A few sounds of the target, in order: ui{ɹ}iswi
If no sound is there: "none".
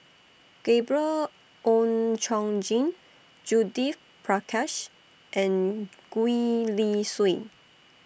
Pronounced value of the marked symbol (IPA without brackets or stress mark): l